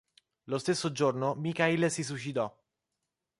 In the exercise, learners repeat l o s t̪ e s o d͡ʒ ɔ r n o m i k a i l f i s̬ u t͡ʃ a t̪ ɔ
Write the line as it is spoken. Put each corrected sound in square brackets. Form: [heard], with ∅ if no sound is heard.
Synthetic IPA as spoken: l o s t̪ e [sː] o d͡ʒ [o] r n o m i k a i l [s] i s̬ u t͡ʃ [i] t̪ ɔ